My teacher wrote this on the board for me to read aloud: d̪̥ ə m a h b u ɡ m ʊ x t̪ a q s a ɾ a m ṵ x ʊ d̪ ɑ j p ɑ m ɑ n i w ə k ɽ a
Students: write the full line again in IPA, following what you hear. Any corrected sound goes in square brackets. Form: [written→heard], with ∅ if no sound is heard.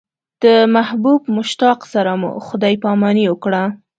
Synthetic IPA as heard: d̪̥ ə m a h b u [ɡ→b] m ʊ [x→ʃ] t̪ [a→ɑ] q s a ɾ a m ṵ x ʊ d̪ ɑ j p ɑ m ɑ n i w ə k ɽ a